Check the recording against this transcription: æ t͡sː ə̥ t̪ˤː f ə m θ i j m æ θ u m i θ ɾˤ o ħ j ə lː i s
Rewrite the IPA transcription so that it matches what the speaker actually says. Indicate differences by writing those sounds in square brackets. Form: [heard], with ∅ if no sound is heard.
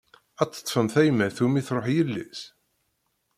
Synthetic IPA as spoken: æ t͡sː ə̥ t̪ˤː f ə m θ [æ] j m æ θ u m i θ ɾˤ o ħ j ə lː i s

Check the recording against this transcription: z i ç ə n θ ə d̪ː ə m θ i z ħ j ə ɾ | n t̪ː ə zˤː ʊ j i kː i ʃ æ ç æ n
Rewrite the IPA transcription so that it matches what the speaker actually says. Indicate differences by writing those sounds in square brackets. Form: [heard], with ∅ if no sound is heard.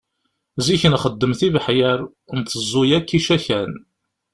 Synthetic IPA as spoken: z i ç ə n [χ] ə d̪ː ə m θ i [v] ħ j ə ɾ | n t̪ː ə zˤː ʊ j [æ] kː i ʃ æ ç æ n

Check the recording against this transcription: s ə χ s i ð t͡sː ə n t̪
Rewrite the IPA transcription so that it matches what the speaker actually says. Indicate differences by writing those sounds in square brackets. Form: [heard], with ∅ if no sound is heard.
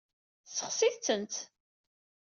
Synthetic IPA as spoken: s ə χ s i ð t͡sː ə n t̪

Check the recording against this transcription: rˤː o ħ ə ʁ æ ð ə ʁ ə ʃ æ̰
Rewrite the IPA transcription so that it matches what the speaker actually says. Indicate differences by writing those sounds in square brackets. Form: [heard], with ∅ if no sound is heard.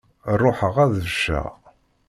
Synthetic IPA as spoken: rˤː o ħ ə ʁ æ ð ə [v] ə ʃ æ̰

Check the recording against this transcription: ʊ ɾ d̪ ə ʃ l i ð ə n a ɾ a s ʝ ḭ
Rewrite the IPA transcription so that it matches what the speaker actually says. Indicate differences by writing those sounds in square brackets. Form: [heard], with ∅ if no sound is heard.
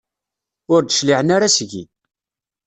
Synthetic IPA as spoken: ʊ ɾ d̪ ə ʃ l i [ʕ] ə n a ɾ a s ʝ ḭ

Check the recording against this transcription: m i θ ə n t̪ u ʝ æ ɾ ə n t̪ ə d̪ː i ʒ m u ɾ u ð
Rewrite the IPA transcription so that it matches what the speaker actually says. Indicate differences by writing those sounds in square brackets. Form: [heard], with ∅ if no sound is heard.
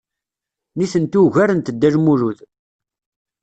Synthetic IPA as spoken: [n] i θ ə n t̪ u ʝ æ ɾ ə n t̪ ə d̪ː [æ] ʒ m u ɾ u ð

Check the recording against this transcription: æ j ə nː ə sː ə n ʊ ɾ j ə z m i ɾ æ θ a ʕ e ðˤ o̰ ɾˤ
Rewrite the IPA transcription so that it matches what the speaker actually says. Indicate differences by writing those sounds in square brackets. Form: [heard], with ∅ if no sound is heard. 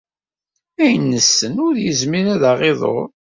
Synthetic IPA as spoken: æ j ə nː ə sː ə n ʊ ɾ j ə z m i ɾ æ [ð] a [ʁ] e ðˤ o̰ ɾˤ

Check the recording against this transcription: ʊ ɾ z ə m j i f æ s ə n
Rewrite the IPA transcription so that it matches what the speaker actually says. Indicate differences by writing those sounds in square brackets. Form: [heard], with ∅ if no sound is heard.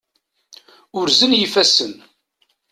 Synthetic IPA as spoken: ʊ ɾ z ə [n] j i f æ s ə n

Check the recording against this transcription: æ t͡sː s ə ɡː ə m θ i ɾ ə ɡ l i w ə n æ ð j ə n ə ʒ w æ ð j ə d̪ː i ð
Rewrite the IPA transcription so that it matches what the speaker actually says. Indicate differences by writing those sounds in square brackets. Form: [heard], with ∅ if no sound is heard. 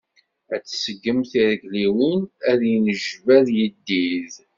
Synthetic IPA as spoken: æ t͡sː s ə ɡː ə m θ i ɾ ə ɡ l i w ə n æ ð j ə n ə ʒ [v] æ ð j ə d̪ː i ð

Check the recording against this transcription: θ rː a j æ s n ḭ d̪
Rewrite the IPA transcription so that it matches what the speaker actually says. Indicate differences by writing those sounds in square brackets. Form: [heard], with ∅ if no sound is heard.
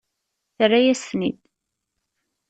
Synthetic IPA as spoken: θ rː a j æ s n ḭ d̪

